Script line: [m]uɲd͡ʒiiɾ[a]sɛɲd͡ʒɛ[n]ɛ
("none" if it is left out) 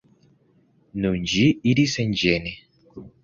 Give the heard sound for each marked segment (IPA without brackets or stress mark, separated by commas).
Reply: n, i, n